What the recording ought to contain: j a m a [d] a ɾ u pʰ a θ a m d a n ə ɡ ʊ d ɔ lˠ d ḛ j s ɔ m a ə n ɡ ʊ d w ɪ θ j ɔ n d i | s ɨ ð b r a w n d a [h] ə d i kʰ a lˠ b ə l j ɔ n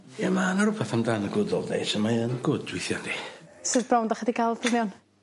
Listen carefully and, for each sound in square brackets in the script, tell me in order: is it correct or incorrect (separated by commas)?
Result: incorrect, incorrect